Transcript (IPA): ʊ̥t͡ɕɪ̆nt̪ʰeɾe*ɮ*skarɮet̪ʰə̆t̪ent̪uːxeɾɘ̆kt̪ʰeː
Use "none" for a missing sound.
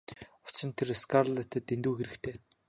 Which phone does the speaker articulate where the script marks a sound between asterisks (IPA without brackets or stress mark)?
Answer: none